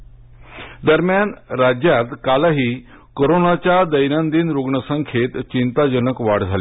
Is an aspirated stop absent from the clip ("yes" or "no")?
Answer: no